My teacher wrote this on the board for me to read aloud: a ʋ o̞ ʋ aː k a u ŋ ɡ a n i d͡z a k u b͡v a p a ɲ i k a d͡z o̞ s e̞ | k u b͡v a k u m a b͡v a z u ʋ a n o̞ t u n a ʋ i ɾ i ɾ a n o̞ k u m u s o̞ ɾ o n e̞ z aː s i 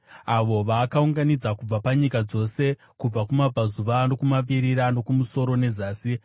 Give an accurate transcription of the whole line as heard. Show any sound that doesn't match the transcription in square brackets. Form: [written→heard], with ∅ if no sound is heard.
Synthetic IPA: a ʋ o̞ ʋ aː k a u ŋ ɡ a n i d͡z a k u b͡v a p a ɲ i k a d͡z o̞ s e̞ | k u b͡v a k u m a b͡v a z u ʋ a n o̞ [t→k] u [n→m] a ʋ i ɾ i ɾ a n o̞ k u m u s o̞ ɾ o n e̞ z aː s i